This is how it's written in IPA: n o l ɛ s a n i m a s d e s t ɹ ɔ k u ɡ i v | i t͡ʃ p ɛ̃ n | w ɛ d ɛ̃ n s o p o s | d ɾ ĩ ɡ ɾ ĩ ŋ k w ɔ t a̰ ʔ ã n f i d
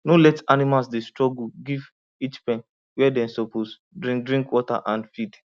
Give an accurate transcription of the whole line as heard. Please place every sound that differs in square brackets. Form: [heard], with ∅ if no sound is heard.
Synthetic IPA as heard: n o l ɛ [t] a n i m a s d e s t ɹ ɔ [ɡ] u ɡ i v | i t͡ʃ p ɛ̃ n | w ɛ d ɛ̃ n s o p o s | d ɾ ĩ [d] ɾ ĩ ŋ k w ɔ t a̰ ʔ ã n f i d